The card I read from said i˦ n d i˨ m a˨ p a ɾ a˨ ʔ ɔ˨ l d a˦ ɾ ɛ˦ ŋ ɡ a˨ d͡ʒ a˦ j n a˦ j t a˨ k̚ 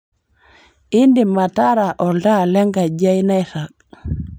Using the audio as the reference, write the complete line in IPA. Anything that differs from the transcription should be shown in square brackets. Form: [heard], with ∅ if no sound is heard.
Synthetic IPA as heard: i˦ n d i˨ m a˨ [t] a ɾ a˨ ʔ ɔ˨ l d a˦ [l] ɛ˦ ŋ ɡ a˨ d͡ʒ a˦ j n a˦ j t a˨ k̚